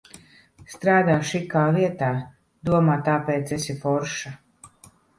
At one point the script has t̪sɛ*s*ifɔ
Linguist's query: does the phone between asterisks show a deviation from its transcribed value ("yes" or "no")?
no